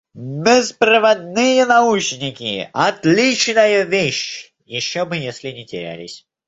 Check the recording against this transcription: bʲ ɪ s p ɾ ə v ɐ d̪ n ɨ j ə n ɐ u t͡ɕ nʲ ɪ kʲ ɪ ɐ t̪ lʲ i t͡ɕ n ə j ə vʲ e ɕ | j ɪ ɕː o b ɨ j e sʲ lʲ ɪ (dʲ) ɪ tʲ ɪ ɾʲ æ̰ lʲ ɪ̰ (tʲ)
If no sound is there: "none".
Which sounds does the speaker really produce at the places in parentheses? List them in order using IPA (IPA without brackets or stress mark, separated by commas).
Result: nʲ, sʲ